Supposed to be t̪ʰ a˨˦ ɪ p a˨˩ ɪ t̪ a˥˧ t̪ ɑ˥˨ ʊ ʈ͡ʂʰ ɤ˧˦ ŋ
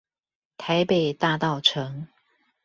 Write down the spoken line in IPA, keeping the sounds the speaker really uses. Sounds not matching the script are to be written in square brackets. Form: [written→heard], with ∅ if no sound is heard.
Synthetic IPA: t̪ʰ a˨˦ ɪ p [a˨˩→e˨˩] ɪ t̪ a˥˧ t̪ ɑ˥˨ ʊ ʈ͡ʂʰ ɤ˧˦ ŋ

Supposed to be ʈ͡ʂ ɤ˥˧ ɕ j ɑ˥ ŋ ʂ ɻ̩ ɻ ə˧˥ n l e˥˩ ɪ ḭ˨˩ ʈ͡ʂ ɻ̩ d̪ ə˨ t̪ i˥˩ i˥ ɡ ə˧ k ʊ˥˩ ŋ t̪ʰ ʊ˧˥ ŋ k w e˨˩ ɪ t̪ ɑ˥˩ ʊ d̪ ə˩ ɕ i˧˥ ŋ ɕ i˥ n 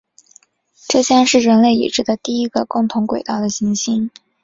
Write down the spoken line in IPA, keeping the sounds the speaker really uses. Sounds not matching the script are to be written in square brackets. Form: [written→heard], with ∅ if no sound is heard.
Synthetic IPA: ʈ͡ʂ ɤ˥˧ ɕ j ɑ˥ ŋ ʂ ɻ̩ ɻ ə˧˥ n l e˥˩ ɪ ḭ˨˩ ʈ͡ʂ ɻ̩ d̪ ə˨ t̪ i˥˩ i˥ ɡ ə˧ k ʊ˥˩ ŋ t̪ʰ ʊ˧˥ ŋ k w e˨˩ ɪ t̪ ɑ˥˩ ʊ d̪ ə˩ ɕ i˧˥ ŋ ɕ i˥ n

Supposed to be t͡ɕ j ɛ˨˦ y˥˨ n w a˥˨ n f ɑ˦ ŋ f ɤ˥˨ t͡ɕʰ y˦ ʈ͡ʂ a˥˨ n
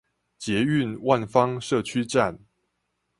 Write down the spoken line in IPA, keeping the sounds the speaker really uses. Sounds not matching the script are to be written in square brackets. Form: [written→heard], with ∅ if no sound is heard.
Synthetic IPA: t͡ɕ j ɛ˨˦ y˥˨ n w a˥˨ n f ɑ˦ ŋ [f→ʂ] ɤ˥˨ t͡ɕʰ y˦ ʈ͡ʂ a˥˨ n

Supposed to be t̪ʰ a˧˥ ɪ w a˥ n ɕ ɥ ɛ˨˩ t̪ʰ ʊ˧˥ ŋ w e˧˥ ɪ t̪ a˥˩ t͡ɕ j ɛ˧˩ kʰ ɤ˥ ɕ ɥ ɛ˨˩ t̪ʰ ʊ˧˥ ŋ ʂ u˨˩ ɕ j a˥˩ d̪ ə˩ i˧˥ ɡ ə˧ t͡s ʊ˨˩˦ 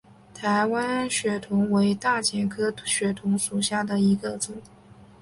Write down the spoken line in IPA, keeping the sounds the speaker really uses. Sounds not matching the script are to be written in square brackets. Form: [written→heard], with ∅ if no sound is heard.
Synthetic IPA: t̪ʰ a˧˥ ɪ w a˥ n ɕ ɥ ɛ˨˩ t̪ʰ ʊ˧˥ ŋ w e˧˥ ɪ t̪ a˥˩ t͡ɕ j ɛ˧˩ kʰ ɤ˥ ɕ ɥ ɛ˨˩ t̪ʰ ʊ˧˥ ŋ ʂ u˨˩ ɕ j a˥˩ d̪ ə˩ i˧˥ ɡ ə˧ t͡s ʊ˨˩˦

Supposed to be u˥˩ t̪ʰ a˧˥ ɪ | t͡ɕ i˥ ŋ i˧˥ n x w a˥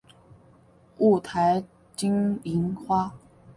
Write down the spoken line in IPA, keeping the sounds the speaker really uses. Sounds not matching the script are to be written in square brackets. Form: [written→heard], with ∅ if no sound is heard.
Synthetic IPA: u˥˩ t̪ʰ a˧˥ ɪ | t͡ɕ i˥ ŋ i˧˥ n x w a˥

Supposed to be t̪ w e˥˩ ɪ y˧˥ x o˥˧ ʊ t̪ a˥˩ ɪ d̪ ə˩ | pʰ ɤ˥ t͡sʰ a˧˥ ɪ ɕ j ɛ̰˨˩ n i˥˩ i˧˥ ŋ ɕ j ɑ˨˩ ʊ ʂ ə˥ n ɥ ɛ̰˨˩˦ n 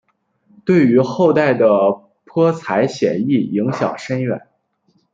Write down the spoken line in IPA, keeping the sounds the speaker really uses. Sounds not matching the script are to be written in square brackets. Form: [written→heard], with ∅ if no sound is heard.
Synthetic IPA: t̪ w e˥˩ ɪ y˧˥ x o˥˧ ʊ t̪ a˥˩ ɪ d̪ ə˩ | pʰ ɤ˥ t͡sʰ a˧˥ ɪ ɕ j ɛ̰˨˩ n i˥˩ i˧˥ ŋ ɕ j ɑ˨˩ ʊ ʂ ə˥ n ɥ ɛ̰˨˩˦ n

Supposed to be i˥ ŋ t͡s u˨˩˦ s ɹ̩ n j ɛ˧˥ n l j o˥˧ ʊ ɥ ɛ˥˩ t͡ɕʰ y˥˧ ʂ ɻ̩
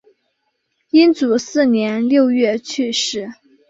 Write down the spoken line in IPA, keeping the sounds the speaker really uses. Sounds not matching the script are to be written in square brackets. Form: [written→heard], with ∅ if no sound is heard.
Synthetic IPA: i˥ [ŋ→n] t͡s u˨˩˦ s ɹ̩ n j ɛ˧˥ n l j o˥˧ ʊ ɥ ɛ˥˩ t͡ɕʰ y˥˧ ʂ ɻ̩

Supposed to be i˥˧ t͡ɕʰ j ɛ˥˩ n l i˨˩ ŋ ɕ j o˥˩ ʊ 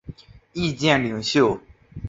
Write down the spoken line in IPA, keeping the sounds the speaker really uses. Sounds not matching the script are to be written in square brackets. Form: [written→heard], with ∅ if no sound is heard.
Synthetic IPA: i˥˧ [t͡ɕʰ→t͡ɕ] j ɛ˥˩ n l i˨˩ ŋ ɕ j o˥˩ ʊ

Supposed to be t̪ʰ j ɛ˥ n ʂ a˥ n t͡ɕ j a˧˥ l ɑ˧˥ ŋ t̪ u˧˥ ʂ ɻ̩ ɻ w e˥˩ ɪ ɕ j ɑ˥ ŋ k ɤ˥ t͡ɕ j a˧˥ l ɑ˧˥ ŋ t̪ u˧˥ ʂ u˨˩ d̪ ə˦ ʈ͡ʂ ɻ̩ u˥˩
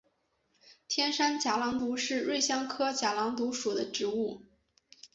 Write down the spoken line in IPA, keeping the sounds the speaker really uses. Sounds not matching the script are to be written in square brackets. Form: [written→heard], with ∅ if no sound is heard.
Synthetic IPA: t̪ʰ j ɛ˥ n ʂ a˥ n t͡ɕ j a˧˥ l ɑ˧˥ ŋ t̪ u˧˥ ʂ ɻ̩ ɻ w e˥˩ ɪ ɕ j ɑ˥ ŋ [k→kʰ] ɤ˥ t͡ɕ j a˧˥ l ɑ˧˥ ŋ t̪ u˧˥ ʂ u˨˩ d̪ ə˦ ʈ͡ʂ ɻ̩ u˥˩

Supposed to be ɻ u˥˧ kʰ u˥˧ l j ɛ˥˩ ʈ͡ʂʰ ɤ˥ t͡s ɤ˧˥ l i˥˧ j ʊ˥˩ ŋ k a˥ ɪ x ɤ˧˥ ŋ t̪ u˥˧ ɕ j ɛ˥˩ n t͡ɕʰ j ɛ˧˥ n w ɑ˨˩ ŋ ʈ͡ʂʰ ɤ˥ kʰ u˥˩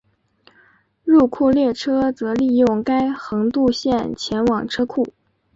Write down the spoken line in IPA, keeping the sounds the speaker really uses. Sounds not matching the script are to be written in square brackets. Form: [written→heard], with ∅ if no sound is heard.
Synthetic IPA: ɻ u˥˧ kʰ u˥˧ l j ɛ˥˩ ʈ͡ʂʰ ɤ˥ t͡s ɤ˧˥ l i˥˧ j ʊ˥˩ ŋ k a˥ ɪ x ɤ˧˥ ŋ t̪ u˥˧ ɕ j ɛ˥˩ n t͡ɕʰ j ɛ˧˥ n w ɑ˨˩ ŋ ʈ͡ʂʰ ɤ˥ kʰ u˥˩

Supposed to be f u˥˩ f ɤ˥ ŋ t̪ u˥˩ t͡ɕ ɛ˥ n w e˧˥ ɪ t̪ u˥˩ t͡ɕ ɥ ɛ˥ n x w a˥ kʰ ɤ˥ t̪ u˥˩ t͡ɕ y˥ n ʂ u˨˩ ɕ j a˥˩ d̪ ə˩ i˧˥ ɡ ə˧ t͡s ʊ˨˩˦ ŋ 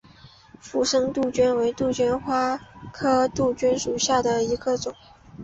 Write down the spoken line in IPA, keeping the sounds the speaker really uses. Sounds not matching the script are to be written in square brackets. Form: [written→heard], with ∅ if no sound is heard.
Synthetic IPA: f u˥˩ [f→ʂ] ɤ˥ ŋ t̪ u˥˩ t͡ɕ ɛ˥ n w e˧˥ ɪ t̪ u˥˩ t͡ɕ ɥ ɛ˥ n x w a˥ kʰ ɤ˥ t̪ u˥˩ t͡ɕ y˥ n ʂ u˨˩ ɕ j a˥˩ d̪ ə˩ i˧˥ ɡ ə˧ t͡s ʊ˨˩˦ ŋ

